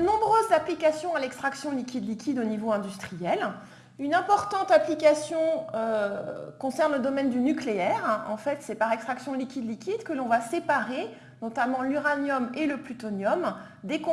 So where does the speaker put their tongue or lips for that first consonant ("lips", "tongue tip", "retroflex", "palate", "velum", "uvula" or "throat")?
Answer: tongue tip